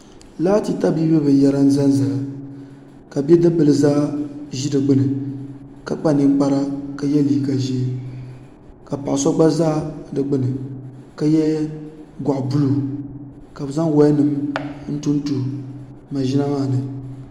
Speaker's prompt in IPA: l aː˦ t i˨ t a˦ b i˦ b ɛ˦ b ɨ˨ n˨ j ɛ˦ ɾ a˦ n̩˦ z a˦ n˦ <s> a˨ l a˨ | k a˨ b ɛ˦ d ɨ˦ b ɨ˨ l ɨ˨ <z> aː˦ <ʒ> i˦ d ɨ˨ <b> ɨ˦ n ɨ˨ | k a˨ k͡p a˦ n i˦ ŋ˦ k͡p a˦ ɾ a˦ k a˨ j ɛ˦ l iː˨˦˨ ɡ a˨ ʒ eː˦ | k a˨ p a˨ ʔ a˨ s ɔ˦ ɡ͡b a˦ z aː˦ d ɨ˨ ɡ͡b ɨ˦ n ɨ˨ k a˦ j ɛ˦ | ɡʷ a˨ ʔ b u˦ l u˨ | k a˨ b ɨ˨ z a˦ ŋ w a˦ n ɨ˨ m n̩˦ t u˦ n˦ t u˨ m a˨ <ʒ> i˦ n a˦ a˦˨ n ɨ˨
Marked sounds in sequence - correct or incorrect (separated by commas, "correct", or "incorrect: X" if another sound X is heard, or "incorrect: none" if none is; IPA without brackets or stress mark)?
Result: incorrect: z, correct, correct, incorrect: ɡ͡b, correct